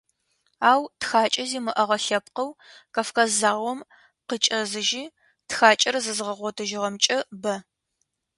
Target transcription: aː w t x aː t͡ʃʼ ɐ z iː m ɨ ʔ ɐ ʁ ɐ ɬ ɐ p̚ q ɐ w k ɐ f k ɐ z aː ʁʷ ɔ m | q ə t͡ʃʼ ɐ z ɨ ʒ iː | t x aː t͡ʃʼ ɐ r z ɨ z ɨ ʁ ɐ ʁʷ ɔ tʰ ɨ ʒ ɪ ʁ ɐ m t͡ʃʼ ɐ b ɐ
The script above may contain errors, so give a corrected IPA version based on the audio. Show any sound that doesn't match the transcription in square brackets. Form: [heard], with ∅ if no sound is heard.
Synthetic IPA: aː w t x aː t͡ʃʼ ɐ z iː m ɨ ʔ ɐ ʁ ɐ ɬ ɐ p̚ q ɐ w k ɐ f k ɐ z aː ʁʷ ɔ m | q ə t͡ʃʼ ɐ z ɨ ʒ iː | t x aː t͡ʃʼ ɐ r z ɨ z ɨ ʁ ɐ ʁʷ ɔ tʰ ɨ ʒ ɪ ʁ ɐ m t͡ʃʼ ɐ b ɐ

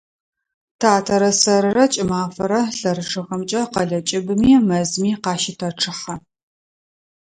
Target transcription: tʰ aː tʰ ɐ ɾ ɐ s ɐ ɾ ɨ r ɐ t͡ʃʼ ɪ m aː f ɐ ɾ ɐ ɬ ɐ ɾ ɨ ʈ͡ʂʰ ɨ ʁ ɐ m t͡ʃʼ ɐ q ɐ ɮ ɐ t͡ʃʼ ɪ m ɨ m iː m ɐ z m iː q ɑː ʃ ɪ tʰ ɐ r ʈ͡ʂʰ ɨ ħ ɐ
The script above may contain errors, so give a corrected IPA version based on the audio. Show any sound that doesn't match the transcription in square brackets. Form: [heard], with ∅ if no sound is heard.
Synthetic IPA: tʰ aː tʰ ɐ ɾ ɐ s ɐ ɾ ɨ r ɐ t͡ʃʼ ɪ m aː f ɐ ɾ ɐ ɬ ɐ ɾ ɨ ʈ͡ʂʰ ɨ ʁ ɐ m t͡ʃʼ ɐ q ɐ ɮ ɐ t͡ʃʼ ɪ [b] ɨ m iː m ɐ z m iː q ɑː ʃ ɪ tʰ ɐ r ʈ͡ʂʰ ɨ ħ ɐ

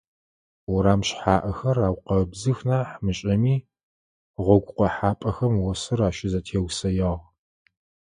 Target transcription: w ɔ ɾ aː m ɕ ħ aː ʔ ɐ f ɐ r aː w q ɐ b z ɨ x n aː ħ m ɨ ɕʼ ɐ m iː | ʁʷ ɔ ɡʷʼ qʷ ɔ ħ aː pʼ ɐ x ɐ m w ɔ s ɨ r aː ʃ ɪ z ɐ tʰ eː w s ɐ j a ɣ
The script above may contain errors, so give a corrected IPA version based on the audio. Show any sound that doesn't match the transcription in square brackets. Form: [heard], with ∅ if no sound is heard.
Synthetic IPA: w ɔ ɾ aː m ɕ ħ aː ʔ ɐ [x] ɐ r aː w q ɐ b z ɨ x n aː ħ m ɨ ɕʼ ɐ m iː | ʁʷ ɔ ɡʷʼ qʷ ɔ ħ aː pʼ ɐ x ɐ m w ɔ s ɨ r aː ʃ ɪ z ɐ tʰ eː w s ɐ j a [ʁ]

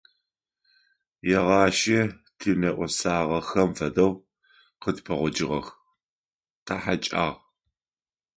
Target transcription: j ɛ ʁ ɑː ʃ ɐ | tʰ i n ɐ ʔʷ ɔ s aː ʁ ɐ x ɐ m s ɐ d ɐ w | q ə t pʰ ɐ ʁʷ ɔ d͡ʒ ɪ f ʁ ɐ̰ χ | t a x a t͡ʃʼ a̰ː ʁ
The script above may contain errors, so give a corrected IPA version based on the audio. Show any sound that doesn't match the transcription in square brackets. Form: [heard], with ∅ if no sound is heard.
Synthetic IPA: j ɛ ʁ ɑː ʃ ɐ | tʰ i n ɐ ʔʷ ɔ s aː ʁ ɐ x ɐ m [f] ɐ d ɐ w | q ə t pʰ ɐ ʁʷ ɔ d͡ʒ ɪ [∅] ʁ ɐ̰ [x] | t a [ħ] a t͡ʃʼ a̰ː ʁ

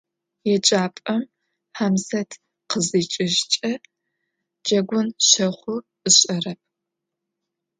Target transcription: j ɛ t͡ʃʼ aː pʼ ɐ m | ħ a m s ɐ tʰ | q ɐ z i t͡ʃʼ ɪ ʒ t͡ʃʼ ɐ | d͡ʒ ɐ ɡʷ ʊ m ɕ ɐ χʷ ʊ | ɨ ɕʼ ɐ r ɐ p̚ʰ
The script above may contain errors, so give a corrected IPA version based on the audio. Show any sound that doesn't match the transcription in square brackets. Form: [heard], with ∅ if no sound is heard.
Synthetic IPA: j ɛ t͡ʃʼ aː pʼ ɐ m | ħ a m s ɐ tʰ | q [ə] z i t͡ʃʼ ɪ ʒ t͡ʃʼ ɐ | d͡ʒ ɐ ɡʷ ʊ [n] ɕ ɐ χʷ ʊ | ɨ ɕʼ ɐ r ɐ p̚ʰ

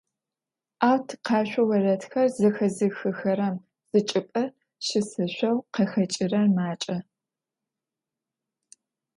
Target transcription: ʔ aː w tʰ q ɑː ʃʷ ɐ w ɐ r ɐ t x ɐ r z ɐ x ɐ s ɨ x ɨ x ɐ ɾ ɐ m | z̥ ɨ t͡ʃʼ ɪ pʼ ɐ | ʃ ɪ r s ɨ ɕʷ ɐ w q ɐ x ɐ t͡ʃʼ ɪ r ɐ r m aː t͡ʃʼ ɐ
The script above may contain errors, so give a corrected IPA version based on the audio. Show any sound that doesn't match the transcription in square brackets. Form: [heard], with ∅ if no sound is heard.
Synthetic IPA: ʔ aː w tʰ q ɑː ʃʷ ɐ w ɐ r ɐ t x ɐ r z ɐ x ɐ [z] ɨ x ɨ x ɐ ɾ ɐ m | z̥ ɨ t͡ʃʼ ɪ pʼ ɐ | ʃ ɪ [∅] s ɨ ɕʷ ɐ w q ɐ x ɐ t͡ʃʼ ɪ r ɐ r m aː t͡ʃʼ ɐ

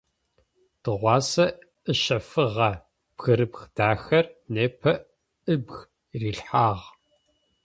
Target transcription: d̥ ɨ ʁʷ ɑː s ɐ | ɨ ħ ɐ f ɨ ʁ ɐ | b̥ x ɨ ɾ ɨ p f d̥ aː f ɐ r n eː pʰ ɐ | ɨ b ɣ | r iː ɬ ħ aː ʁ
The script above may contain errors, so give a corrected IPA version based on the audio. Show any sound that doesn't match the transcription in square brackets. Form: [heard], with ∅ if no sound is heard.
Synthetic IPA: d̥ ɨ ʁʷ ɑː s ɐ | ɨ [ʃ] ɐ f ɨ ʁ ɐ | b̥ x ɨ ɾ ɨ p [x] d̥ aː [x] ɐ r n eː pʰ ɐ | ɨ b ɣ | r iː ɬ ħ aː ʁ

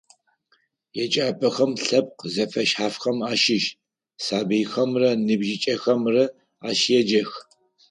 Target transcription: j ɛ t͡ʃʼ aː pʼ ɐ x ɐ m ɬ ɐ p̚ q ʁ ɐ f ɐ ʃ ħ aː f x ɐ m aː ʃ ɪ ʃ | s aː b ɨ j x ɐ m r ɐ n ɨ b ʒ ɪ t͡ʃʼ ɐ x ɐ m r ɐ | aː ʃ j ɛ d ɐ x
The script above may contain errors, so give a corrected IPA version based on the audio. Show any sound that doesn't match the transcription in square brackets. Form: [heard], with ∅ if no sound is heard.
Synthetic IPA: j ɛ t͡ʃʼ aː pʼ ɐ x ɐ m ɬ ɐ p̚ q [z] ɐ f ɐ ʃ ħ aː f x ɐ m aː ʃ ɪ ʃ | s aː b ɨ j x ɐ m r ɐ n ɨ b ʒ ɪ t͡ʃʼ ɐ x ɐ m r ɐ | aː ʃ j ɛ [d͡ʒ] ɐ x

